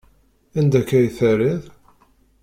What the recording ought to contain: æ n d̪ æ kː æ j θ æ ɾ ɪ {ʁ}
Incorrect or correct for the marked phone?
incorrect: ð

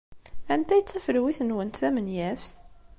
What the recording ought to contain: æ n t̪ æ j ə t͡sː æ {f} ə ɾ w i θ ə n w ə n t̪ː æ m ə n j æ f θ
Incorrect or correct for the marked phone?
correct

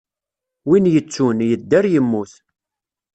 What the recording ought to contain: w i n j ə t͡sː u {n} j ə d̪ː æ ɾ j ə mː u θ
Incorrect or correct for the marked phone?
correct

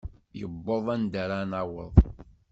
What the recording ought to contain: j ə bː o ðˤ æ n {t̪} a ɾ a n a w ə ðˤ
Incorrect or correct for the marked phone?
incorrect: d̪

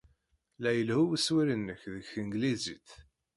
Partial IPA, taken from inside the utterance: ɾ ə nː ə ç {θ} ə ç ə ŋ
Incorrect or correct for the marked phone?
incorrect: ð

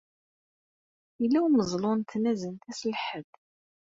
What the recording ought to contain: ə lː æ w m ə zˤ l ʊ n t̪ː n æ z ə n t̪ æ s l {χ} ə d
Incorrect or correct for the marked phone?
incorrect: ħ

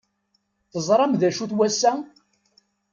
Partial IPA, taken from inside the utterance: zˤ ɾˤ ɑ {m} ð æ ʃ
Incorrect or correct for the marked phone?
correct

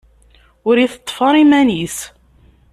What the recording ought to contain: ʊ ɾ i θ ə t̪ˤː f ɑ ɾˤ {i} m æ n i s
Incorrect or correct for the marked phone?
correct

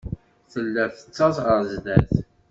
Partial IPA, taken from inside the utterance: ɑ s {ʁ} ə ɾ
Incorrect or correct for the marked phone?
correct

